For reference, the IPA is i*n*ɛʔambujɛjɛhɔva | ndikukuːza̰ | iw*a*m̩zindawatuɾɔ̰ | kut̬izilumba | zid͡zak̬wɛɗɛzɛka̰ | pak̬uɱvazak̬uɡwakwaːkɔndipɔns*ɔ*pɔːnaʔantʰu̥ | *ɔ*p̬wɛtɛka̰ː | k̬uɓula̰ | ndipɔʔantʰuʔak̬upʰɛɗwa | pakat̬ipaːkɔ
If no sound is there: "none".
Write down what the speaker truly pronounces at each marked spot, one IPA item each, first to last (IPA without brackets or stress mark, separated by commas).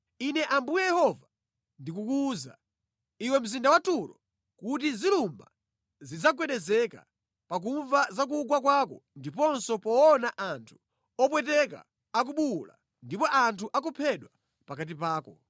n, ɛ, ɔ, ɔ